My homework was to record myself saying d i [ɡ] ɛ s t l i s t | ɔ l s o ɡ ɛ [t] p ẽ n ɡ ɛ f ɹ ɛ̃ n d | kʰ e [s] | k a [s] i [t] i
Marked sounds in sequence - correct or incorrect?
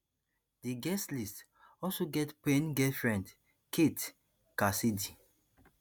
correct, correct, incorrect: t, correct, incorrect: d

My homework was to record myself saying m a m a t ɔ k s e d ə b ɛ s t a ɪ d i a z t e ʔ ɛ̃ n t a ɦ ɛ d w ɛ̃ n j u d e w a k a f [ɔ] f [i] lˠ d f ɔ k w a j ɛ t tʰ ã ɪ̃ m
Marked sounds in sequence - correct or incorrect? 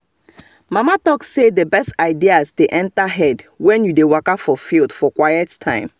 correct, correct

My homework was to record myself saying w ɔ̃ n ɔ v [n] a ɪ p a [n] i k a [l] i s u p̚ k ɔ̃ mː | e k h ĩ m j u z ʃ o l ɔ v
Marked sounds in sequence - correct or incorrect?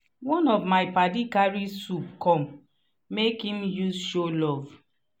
incorrect: m, incorrect: d, incorrect: ɹ

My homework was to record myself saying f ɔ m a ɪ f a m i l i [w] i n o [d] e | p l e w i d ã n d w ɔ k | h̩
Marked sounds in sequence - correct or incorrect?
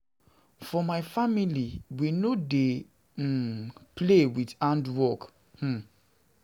correct, correct

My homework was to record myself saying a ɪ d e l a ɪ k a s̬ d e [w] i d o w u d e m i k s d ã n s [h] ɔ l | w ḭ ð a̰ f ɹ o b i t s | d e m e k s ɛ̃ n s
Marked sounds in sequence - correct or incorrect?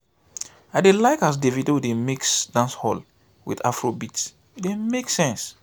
incorrect: v, correct

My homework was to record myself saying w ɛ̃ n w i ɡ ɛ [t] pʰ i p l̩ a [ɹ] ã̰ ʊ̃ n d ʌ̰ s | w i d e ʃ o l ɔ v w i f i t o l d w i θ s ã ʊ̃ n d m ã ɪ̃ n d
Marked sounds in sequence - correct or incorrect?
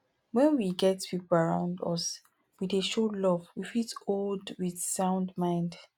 correct, correct

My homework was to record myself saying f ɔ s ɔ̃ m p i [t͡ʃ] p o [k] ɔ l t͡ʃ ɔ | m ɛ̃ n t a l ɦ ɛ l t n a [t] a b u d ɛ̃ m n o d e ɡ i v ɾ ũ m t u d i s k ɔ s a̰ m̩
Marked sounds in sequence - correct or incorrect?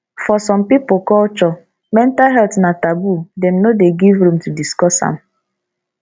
incorrect: none, correct, correct

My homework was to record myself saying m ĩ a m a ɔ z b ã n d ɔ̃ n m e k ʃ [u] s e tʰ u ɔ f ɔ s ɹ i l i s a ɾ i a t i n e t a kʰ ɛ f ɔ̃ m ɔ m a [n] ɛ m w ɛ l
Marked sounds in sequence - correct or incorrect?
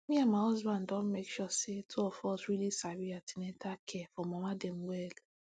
incorrect: ɔ, incorrect: d

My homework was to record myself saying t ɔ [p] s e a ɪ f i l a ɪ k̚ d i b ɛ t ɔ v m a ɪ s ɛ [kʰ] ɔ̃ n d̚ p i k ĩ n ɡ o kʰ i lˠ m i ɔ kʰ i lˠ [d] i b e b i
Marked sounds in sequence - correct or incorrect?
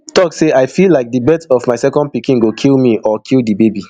incorrect: k, incorrect: k, correct

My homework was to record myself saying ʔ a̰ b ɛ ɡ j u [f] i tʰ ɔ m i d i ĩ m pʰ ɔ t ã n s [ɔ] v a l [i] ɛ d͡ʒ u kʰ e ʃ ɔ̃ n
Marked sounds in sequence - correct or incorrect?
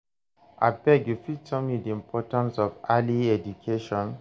correct, correct, correct

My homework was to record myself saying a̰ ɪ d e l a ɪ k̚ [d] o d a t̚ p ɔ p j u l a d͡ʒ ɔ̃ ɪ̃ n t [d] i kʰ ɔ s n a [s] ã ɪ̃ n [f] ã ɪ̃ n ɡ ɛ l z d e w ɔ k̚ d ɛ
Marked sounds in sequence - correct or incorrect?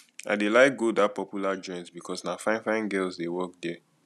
incorrect: ɡ, incorrect: b, incorrect: f, correct

